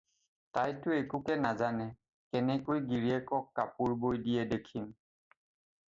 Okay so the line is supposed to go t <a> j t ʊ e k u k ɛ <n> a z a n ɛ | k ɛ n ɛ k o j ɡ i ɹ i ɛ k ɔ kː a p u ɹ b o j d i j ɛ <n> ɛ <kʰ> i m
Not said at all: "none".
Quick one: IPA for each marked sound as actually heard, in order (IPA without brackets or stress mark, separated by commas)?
a, n, d, kʰ